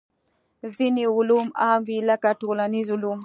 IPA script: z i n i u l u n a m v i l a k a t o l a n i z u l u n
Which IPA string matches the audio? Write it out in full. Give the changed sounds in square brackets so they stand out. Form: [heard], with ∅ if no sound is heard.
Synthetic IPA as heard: z i n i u l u [m] a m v i l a k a t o l a n i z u l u [m]